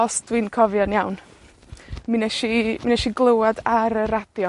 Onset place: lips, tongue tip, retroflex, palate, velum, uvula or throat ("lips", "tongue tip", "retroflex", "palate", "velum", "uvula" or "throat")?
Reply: tongue tip